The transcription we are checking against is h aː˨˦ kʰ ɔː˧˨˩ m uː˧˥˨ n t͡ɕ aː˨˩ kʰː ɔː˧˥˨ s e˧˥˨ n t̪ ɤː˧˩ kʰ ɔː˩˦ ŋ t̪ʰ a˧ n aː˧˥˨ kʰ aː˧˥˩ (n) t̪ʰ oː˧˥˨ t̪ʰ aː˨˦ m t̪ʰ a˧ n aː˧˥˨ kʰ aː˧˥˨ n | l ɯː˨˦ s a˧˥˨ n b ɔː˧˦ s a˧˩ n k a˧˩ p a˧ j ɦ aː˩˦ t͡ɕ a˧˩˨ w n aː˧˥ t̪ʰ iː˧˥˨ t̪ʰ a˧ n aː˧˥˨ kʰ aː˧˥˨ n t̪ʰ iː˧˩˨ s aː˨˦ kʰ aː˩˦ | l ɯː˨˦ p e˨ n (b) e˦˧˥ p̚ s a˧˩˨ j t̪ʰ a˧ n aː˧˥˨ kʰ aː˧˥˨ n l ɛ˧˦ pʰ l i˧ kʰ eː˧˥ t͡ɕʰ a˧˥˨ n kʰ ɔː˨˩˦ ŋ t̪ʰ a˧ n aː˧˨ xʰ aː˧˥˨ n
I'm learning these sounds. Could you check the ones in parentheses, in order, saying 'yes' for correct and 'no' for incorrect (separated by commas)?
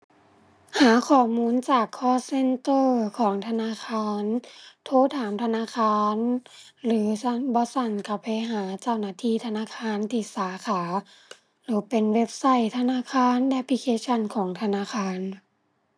yes, no